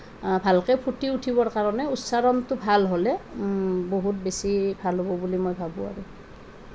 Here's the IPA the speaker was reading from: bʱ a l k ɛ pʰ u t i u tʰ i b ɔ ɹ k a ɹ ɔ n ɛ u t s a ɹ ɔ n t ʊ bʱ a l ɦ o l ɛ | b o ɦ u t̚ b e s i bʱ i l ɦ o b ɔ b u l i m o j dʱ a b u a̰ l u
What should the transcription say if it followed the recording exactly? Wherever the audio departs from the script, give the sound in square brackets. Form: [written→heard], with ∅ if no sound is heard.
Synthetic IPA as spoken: bʱ a l k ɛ pʰ u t i u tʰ i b ɔ ɹ k a ɹ ɔ n ɛ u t s a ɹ ɔ n t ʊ bʱ a l ɦ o l ɛ | b o ɦ u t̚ b e s i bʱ [i→a] l ɦ o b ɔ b u l i m o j [dʱ→bʱ] a b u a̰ [l→ɹ] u